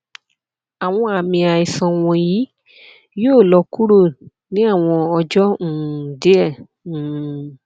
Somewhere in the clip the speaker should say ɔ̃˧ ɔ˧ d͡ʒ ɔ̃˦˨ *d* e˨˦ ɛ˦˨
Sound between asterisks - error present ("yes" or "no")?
no